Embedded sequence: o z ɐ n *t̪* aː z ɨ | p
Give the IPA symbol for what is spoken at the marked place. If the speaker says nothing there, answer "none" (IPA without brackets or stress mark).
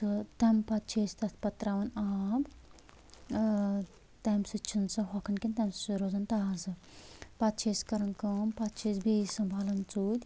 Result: t̪